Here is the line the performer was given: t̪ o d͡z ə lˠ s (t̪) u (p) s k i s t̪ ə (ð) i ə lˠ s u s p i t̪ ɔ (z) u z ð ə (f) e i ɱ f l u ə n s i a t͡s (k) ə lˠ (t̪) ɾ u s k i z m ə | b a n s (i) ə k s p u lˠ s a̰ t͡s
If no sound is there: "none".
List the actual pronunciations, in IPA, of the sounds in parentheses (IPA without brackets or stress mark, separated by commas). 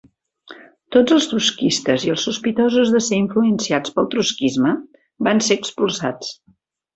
t̪, none, z, z, s, p, t̪, e